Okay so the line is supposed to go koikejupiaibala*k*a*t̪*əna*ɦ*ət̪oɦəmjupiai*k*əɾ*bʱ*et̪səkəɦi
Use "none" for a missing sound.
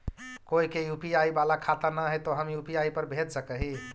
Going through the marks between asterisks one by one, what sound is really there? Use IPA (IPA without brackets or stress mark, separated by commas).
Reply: kʰ, t̪, ɦ, p, bʱ